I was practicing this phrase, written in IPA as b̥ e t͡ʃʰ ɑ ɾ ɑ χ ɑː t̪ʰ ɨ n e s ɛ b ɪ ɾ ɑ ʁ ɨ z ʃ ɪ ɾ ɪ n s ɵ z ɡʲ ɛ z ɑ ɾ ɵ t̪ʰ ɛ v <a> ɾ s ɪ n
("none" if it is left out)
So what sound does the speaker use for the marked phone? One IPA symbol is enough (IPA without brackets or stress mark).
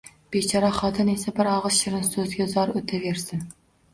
e